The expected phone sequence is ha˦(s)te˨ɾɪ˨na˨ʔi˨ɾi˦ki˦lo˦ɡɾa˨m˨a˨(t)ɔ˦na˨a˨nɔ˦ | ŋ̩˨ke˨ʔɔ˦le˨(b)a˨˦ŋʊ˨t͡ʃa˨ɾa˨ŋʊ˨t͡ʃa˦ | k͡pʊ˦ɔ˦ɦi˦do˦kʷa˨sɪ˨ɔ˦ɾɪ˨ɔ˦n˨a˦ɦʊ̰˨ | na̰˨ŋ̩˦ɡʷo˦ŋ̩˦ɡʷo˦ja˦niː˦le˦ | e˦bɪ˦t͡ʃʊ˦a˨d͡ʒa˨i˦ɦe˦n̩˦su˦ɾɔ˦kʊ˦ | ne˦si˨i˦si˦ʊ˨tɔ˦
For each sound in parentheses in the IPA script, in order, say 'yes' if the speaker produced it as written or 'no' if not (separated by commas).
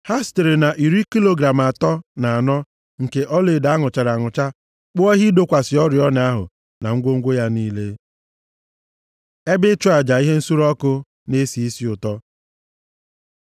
yes, yes, no